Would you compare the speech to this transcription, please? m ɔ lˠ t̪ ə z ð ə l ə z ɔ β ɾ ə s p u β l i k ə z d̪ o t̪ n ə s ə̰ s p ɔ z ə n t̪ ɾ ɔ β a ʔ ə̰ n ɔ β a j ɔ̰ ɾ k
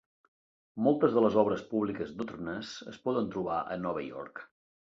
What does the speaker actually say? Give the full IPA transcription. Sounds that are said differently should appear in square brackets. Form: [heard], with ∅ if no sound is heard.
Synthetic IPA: m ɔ lˠ t̪ ə z ð ə l ə z ɔ β ɾ ə s p u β l i k ə z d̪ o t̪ n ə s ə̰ s p ɔ [ð] ə n t̪ ɾ [u] β a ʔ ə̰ n ɔ β [ə] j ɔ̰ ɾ k